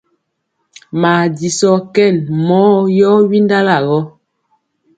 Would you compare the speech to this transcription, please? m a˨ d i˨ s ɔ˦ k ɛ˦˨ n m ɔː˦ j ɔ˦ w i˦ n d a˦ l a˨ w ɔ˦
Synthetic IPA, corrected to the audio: m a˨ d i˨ s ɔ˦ k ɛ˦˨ n m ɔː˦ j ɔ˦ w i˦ n d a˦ l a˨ ɣ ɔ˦